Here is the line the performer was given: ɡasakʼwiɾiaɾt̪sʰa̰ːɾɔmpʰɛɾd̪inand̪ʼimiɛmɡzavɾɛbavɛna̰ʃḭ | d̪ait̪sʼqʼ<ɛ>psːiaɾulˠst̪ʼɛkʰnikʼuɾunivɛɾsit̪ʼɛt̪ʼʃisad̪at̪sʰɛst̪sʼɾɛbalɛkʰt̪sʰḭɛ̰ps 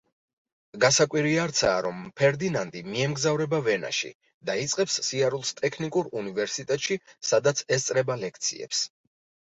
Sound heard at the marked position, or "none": ɛ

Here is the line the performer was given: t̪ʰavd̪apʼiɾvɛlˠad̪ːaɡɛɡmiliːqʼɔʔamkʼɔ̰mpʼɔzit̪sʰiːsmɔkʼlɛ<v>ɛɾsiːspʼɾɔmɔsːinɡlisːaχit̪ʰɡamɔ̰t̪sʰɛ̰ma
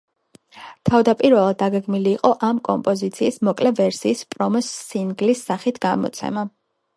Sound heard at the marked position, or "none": v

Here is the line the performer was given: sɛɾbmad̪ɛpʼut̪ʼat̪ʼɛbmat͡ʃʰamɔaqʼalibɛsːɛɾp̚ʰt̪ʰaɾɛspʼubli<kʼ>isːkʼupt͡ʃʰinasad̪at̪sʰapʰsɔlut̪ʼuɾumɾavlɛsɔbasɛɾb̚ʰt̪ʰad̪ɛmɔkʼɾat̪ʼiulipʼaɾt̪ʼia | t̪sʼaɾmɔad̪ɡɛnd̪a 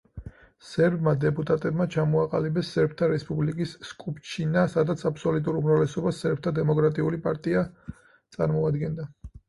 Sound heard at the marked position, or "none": kʼ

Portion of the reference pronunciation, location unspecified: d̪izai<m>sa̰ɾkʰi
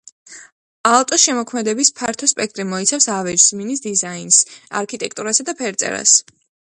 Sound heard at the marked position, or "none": n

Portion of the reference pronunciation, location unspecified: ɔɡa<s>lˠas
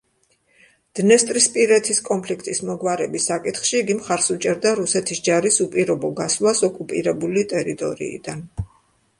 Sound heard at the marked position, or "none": s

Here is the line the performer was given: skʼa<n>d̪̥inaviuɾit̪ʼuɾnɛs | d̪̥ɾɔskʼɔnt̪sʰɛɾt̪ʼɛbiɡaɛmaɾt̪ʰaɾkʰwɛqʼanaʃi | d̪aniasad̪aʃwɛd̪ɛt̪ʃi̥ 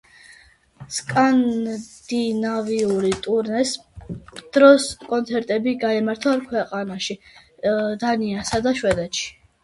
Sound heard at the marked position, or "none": n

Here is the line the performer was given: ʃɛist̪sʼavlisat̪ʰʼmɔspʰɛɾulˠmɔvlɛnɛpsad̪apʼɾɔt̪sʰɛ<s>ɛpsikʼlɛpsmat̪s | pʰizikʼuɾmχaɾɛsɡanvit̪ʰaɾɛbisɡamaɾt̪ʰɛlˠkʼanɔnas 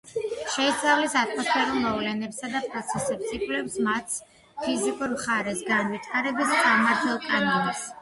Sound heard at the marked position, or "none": s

